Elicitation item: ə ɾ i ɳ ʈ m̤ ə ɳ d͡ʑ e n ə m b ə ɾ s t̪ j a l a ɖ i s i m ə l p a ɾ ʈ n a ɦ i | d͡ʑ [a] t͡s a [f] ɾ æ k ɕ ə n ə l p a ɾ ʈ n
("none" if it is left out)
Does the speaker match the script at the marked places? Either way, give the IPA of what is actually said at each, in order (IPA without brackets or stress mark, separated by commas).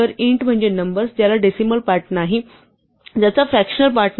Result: a, f